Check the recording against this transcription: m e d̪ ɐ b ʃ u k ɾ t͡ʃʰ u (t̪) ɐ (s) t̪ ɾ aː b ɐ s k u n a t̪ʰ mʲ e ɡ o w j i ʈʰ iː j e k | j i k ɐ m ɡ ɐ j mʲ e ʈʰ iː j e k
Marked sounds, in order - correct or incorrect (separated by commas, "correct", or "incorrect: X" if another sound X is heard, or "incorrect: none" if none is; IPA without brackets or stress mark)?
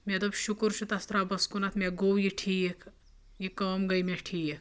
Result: correct, correct